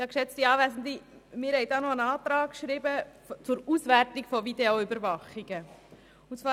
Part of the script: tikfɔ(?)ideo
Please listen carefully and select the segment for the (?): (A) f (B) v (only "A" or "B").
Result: B